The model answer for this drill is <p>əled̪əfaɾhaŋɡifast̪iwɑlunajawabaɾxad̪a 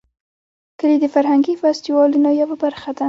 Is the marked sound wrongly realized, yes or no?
yes